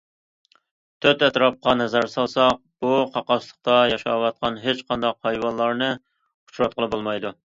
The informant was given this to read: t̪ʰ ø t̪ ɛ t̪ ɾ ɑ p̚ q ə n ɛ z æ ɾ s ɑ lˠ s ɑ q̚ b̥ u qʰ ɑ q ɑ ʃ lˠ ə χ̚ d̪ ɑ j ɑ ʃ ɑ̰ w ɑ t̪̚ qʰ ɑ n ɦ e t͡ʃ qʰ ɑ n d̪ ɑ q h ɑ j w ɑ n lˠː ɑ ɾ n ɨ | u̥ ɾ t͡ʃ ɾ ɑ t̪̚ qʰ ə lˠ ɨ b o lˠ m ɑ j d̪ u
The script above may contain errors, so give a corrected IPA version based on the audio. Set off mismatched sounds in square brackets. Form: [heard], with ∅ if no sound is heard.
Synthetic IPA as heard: t̪ʰ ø t̪ ɛ t̪ ɾ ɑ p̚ q [ɑ] n ɛ z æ ɾ s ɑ lˠ s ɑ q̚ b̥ u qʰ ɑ q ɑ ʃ lˠ ə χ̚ [t̪] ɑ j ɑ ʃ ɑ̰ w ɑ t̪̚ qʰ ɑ n ɦ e t͡ʃ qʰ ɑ n d̪ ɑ q h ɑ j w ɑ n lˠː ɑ ɾ n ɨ | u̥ [∅] t͡ʃ ɾ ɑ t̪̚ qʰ ə lˠ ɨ b o lˠ m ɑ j d̪ u